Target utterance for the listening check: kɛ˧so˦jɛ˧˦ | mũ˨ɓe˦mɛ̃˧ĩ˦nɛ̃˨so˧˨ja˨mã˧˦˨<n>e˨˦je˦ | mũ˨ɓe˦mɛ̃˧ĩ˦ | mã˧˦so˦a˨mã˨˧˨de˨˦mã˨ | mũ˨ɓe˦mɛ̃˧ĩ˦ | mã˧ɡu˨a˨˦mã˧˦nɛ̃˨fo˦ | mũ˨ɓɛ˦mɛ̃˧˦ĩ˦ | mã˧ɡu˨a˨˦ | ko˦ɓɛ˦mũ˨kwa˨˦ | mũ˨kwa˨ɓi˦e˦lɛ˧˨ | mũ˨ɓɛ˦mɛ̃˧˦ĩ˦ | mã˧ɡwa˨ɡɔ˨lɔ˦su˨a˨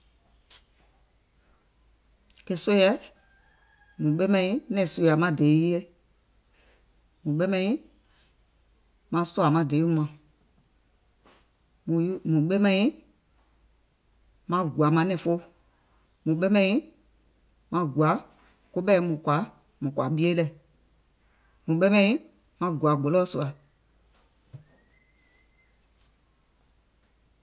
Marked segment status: incorrect: d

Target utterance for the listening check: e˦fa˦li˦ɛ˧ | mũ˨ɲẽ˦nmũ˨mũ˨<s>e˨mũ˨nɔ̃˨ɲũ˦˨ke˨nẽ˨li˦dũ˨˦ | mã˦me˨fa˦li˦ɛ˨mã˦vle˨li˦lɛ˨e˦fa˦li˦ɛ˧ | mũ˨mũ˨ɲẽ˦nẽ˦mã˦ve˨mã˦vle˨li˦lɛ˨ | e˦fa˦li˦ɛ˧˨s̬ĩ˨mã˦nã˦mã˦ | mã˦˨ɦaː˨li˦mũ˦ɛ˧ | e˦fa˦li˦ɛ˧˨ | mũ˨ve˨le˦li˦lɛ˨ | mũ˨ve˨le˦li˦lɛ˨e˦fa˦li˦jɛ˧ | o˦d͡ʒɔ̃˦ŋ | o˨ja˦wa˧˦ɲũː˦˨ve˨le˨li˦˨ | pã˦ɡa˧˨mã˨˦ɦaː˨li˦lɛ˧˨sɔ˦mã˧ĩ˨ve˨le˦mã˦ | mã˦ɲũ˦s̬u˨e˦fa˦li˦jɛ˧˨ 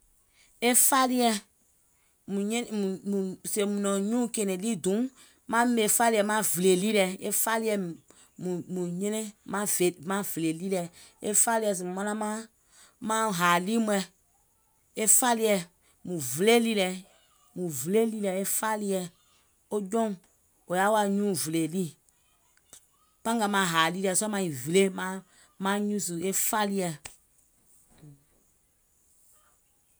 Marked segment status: correct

